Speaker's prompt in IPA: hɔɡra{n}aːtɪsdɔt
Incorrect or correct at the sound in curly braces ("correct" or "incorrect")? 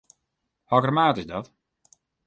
incorrect